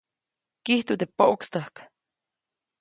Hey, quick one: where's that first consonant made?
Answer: velum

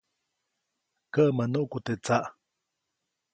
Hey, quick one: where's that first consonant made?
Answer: velum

